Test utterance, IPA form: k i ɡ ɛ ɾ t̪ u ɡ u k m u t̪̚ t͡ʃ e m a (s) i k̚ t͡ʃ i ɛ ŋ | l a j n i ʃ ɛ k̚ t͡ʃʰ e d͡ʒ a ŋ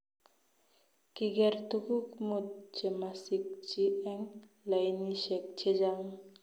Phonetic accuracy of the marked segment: correct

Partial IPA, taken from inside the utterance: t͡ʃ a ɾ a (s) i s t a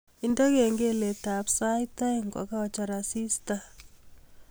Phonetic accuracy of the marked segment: correct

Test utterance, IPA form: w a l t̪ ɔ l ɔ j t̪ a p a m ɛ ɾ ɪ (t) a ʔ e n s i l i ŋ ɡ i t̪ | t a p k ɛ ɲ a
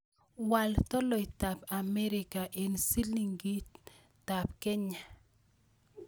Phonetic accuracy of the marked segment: incorrect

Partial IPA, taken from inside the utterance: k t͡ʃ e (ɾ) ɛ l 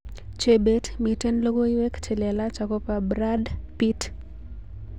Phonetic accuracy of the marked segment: incorrect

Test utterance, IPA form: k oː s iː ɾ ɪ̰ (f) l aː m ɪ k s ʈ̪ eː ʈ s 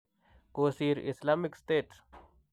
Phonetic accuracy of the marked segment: incorrect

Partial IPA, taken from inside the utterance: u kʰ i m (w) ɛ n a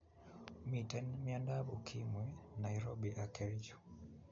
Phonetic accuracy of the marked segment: correct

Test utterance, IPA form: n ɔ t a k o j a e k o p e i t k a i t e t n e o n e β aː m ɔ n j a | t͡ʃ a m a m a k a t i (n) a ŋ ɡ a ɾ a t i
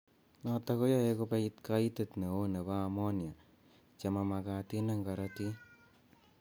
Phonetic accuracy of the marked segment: correct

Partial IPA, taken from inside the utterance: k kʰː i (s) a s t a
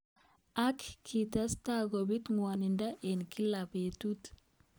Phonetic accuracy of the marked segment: incorrect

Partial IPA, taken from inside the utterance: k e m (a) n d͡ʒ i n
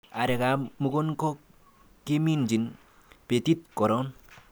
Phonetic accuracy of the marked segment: incorrect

